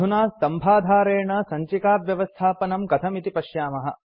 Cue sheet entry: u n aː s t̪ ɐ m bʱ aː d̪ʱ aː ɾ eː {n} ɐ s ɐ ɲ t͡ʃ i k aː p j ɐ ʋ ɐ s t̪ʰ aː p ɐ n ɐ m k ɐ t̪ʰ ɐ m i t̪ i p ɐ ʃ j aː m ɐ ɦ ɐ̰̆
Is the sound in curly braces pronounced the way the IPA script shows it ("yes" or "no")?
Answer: no